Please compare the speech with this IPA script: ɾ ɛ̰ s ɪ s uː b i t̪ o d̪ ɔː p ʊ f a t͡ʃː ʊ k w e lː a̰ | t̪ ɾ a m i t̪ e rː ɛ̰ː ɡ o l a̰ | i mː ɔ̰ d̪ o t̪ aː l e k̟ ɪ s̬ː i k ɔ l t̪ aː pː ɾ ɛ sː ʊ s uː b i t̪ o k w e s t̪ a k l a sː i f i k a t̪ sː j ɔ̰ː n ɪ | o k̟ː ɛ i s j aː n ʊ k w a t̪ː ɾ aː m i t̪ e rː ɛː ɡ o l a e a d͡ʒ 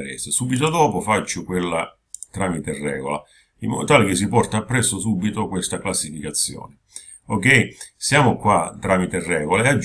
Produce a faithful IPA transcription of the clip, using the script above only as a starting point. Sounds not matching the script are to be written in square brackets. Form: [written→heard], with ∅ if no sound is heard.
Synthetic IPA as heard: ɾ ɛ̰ s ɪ s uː b i t̪ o d̪ ɔː p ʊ f a t͡ʃː ʊ k w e lː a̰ | t̪ ɾ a m i t̪ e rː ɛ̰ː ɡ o l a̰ | i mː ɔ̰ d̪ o t̪ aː l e k̟ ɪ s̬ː i [k→p] ɔ [l→r] t̪ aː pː ɾ ɛ sː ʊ s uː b i t̪ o k w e s t̪ a k l a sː i f i k a t̪ sː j ɔ̰ː n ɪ | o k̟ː ɛ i s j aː [n→m] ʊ k w a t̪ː ɾ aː m i t̪ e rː ɛː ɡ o l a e a d͡ʒ